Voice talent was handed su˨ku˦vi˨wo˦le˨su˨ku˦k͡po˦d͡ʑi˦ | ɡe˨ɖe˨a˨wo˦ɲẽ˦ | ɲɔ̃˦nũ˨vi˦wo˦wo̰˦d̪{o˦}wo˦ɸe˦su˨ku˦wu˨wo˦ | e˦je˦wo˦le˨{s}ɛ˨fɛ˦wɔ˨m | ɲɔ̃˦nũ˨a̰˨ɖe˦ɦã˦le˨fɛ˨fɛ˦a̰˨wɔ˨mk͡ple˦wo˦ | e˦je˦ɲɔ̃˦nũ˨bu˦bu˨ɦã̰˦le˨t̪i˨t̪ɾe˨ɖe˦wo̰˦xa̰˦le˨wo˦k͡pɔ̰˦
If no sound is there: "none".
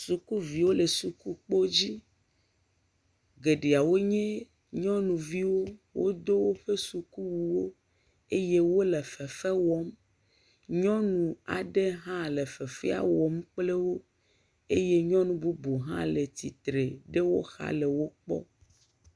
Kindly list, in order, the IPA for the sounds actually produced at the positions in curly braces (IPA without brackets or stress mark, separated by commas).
o˦, f